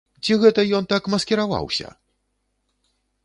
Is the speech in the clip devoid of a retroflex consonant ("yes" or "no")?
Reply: yes